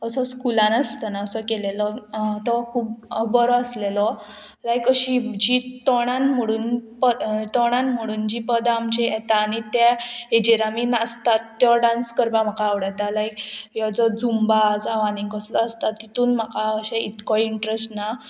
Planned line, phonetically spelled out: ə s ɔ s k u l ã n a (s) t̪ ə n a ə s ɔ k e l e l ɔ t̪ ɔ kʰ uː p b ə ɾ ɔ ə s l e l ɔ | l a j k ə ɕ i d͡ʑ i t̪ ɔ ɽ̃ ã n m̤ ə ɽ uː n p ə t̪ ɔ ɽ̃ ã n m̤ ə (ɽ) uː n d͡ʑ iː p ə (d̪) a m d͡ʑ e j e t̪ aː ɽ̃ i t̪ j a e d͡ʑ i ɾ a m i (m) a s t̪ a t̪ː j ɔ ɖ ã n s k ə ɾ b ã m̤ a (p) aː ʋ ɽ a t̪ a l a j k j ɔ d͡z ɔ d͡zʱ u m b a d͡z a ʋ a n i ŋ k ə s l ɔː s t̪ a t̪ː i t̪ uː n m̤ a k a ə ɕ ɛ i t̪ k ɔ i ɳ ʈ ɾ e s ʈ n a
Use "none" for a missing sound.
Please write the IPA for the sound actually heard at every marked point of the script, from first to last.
s, ɽ, d̪, n, k

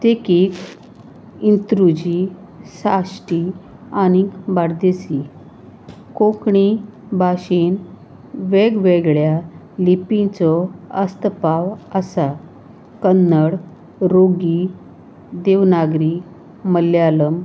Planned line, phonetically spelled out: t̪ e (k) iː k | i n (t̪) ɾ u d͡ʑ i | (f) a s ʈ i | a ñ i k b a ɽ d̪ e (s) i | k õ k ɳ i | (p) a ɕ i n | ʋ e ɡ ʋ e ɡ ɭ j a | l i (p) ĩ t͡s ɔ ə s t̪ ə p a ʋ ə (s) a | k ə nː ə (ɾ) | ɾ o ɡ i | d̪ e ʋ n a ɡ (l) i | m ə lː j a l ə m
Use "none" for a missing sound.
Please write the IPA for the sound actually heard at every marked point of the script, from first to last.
k, t̪, s, s, b, p, s, ɽ, ɾ

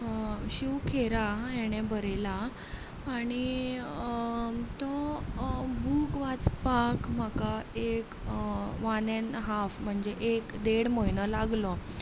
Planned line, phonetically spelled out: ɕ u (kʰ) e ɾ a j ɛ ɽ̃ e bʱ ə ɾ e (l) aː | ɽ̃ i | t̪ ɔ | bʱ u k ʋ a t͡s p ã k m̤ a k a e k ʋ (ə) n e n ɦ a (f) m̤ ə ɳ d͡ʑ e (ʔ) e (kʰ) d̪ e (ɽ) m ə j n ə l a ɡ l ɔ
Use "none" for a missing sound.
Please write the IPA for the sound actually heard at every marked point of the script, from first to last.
kʰ, l, a, f, ʔ, k, ɽ

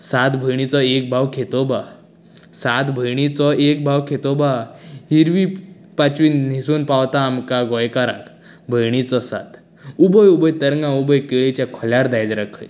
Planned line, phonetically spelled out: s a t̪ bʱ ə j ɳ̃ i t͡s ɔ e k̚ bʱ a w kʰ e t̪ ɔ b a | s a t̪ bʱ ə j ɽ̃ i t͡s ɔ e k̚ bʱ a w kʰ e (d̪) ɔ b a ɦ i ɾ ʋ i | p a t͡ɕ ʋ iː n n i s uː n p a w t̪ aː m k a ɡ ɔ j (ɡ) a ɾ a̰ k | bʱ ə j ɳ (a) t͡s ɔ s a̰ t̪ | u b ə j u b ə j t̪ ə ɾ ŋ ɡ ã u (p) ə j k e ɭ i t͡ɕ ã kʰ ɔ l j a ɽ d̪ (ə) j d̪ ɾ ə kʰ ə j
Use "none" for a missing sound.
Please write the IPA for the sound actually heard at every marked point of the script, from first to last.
t̪, k, i, b, a

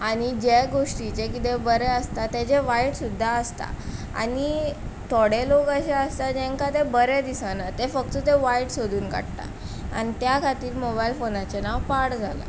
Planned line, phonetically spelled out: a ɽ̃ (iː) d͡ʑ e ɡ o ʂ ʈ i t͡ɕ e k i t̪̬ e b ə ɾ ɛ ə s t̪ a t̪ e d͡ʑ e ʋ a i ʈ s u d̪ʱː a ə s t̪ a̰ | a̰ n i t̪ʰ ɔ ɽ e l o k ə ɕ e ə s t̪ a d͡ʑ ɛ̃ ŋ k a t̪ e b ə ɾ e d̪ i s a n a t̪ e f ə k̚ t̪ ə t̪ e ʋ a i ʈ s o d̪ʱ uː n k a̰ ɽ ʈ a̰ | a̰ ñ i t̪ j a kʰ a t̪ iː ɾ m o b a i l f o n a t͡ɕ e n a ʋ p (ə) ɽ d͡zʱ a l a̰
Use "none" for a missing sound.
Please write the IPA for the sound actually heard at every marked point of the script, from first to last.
i, a

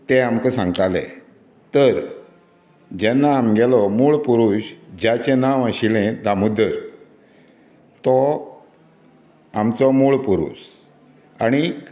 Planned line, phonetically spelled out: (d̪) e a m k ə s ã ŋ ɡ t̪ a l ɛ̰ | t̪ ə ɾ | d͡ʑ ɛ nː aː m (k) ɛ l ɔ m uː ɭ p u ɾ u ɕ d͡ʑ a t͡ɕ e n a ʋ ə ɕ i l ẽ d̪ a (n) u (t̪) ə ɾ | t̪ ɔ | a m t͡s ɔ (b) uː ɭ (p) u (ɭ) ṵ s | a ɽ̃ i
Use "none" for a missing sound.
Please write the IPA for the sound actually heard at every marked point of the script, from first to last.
t̪, ɡ, m, d̪, m, p, ɾ

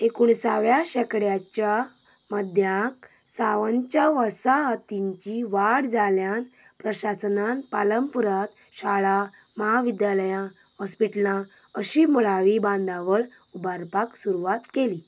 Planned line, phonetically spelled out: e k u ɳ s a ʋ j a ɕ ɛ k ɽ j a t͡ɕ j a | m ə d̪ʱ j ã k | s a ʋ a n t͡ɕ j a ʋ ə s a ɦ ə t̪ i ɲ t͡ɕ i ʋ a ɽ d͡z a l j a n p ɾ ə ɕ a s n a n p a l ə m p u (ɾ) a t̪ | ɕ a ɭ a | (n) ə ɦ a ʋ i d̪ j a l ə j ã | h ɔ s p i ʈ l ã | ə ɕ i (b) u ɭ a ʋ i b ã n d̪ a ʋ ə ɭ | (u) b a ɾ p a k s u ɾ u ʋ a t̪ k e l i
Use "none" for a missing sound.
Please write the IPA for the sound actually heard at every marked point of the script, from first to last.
ɾ, m, m, u

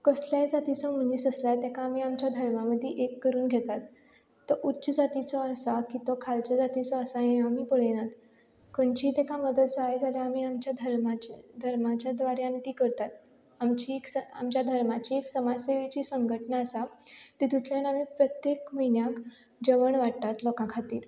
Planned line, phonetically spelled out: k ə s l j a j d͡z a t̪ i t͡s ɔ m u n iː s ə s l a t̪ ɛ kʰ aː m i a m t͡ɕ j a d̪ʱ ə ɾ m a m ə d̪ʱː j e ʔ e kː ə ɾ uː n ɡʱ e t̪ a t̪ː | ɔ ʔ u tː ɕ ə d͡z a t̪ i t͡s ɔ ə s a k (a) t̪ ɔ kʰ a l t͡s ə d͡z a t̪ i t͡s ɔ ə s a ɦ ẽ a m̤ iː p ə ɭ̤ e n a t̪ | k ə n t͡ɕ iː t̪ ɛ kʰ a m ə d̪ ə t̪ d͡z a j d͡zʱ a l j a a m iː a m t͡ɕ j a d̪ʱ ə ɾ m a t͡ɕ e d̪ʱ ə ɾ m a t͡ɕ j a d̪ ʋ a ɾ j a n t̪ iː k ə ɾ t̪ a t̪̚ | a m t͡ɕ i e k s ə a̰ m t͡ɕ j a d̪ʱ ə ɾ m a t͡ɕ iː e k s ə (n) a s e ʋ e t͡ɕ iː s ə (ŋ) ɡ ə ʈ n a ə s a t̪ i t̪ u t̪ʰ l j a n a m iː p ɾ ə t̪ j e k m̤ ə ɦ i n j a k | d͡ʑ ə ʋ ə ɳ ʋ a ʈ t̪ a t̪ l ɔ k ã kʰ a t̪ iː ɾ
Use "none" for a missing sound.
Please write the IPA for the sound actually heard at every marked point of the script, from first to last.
i, m, ŋ

